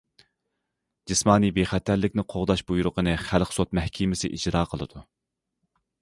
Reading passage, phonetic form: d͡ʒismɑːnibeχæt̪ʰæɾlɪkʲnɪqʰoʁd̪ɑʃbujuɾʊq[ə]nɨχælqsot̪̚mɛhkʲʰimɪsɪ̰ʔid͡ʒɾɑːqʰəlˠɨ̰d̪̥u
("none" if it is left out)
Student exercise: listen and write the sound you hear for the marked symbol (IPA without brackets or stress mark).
ə